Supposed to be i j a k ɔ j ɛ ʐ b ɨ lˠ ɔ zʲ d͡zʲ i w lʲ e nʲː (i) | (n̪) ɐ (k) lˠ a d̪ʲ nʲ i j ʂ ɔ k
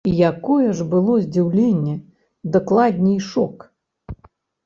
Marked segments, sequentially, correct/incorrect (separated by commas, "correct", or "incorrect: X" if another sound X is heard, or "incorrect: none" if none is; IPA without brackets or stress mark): incorrect: ɛ, incorrect: d̪, correct